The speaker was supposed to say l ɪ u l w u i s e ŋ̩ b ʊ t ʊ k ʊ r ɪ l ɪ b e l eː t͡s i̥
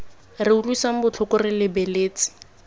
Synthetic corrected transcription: r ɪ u l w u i s a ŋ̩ b ʊ t͡ɬʰ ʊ k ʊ r ɪ l ɪ b e l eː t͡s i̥